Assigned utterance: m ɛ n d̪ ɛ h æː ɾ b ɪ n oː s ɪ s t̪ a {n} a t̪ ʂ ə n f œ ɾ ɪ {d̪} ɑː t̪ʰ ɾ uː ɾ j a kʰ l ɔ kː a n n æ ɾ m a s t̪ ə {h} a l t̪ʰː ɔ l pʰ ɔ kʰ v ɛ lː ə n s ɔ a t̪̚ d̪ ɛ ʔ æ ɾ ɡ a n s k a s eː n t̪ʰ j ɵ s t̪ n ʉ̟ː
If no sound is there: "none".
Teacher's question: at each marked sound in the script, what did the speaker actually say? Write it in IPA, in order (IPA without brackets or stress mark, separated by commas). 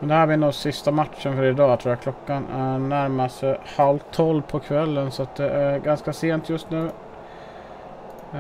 m, d̪, h